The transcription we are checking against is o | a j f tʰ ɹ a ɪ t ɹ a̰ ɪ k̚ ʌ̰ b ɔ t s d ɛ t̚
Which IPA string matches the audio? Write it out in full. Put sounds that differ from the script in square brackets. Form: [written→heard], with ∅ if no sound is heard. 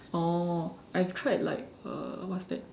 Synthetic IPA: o | a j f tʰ ɹ a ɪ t [ɹ→l] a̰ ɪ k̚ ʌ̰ [b→w] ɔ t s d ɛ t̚